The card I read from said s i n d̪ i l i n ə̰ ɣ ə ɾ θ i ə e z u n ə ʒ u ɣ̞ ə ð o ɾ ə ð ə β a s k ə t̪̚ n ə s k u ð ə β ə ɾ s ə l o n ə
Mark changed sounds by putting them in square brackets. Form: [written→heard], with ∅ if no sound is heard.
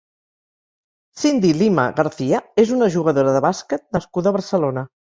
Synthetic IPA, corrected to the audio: s i n d̪ i l i [n→m] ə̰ ɣ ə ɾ θ i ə e z u n ə ʒ u ɣ̞ ə ð o ɾ ə ð ə β a s k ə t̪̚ n ə s k u ð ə β ə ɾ s ə l o n ə

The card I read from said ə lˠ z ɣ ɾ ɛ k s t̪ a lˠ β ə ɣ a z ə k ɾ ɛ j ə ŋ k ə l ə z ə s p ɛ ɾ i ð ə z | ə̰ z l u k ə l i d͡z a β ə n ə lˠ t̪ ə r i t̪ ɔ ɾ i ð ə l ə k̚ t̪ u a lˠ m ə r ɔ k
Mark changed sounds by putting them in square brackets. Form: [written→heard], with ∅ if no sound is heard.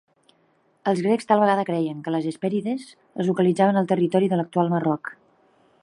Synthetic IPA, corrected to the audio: ə lˠ z ɣ ɾ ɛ k s t̪ a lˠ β ə ɣ a [z→ð] ə k ɾ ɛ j ə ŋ k ə l ə z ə s p ɛ ɾ i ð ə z | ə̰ z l u k ə l i d͡z a β ə n ə lˠ t̪ ə r i t̪ ɔ ɾ i ð ə l ə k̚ t̪ u a lˠ m ə r ɔ k

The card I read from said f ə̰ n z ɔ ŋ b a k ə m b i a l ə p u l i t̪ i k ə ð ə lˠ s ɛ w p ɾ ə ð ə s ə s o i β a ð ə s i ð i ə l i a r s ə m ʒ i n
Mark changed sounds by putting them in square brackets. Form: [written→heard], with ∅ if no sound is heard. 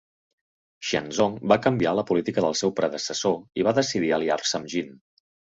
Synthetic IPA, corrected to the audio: [f→ʃ] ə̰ n z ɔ ŋ b a k ə m b i a l ə p u l i t̪ i k ə ð ə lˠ s ɛ w p ɾ ə ð ə s ə s o i β a ð ə s i ð i ə l i a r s ə m ʒ i n

